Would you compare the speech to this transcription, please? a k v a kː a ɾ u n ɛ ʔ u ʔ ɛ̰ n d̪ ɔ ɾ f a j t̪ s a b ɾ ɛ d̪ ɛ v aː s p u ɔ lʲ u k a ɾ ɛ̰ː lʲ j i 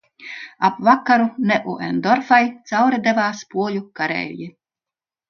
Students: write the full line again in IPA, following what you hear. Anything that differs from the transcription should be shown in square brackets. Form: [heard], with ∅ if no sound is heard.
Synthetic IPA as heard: a [p] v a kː a ɾ u n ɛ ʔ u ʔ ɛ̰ n d̪ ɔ ɾ f a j t̪ s a [w] ɾ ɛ d̪ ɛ v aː s p u ɔ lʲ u k a ɾ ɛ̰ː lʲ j i